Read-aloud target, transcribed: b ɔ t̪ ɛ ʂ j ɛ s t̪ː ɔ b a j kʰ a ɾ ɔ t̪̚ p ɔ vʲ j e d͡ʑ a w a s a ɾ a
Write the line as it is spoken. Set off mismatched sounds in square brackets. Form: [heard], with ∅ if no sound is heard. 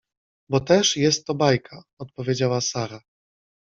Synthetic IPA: b ɔ t̪ ɛ ʂ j ɛ s t̪ː ɔ b a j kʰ a [∅] ɔ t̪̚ p ɔ vʲ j e d͡ʑ a w a s a ɾ a